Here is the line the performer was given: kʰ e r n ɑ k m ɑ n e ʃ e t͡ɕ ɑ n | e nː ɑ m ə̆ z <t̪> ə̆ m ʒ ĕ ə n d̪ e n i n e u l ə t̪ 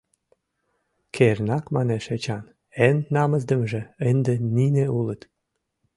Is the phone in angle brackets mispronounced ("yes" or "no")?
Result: yes